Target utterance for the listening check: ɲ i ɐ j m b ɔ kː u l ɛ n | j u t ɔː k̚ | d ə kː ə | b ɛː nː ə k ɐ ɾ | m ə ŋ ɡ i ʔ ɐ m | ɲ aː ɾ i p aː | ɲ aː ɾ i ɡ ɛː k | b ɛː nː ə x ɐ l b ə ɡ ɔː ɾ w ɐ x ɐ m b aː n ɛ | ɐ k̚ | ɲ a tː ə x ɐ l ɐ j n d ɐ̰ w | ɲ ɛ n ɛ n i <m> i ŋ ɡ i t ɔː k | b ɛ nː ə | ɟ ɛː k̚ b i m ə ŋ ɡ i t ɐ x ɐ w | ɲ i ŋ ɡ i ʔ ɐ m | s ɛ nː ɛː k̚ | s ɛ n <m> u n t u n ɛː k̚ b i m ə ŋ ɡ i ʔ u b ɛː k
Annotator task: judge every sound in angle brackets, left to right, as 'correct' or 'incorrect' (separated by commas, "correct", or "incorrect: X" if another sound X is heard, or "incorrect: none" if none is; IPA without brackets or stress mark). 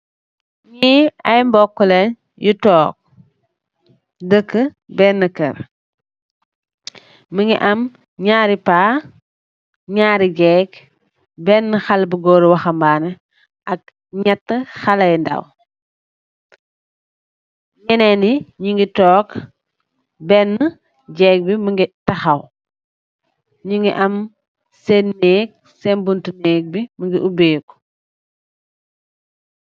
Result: incorrect: ɲ, incorrect: b